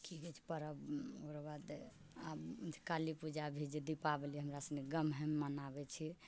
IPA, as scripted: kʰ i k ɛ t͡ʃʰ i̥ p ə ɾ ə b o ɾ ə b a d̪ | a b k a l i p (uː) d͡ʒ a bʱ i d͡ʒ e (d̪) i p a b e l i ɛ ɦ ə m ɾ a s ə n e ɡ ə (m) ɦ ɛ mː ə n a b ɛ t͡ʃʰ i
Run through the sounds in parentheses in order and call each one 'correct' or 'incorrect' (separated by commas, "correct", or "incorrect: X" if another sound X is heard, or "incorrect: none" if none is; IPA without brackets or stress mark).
incorrect: u, correct, correct